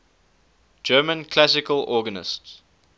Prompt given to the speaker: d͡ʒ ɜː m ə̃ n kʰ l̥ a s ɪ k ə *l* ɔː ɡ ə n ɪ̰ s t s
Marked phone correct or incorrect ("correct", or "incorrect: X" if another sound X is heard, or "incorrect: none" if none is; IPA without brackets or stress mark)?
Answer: correct